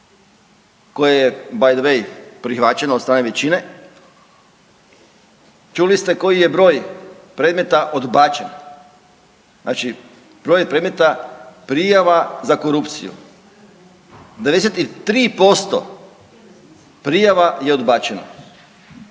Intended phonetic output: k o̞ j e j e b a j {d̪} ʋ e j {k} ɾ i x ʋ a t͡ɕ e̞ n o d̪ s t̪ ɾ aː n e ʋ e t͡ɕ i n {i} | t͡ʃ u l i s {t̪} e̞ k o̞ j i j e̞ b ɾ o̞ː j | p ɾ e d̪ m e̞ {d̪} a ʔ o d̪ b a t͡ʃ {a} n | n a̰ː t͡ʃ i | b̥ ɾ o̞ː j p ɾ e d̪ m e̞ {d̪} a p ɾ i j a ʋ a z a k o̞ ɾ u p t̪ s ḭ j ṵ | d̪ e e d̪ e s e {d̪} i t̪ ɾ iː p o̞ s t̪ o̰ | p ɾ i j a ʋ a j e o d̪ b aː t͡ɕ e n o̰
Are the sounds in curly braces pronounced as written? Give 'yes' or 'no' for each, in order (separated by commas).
yes, no, no, yes, no, no, no, no